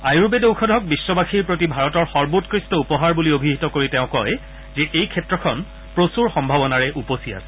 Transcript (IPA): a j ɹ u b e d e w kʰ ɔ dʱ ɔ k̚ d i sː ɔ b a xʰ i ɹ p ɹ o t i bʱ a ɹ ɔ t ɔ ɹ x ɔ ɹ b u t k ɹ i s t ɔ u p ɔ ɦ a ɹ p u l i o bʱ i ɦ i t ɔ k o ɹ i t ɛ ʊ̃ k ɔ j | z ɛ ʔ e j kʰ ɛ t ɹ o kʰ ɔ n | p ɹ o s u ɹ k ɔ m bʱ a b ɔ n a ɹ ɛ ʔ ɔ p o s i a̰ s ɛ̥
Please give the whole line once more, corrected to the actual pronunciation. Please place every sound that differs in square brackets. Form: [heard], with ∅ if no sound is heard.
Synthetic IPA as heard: a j ɹ u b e d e w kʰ ɔ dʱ ɔ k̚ [b] i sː ɔ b a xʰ i ɹ p ɹ o t i bʱ a ɹ ɔ t ɔ ɹ x ɔ ɹ b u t k ɹ i s t ɔ u p ɔ ɦ a ɹ [b] u l i o bʱ i ɦ i t ɔ k o ɹ i t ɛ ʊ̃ k ɔ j | z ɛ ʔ e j kʰ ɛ t ɹ [ɔ] kʰ ɔ n | p ɹ o s u ɹ [x] ɔ m bʱ a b ɔ n a ɹ ɛ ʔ [u] p o s i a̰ s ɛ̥

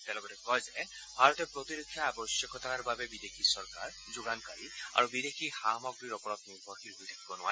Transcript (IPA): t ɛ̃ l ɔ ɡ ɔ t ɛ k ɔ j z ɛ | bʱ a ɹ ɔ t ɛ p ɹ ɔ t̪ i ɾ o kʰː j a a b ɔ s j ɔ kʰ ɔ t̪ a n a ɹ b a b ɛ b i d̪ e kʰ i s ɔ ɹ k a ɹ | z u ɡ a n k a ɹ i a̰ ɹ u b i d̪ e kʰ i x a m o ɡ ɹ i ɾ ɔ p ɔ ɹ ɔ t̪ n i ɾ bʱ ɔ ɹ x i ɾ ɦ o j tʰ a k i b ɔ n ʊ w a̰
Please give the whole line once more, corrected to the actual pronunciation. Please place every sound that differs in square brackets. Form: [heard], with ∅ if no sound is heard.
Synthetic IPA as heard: t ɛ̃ l ɔ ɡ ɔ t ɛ k ɔ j z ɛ | bʱ a ɹ ɔ t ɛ p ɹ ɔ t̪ i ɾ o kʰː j a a b ɔ s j ɔ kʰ ɔ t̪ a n a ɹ b a b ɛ b i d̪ e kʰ i s ɔ ɹ k a ɹ | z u ɡ a n k a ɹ i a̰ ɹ u b i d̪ e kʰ i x a m [ɔ] ɡ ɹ i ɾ ɔ p ɔ ɹ ɔ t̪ n i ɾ bʱ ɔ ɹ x i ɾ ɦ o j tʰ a k i b ɔ n ʊ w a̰

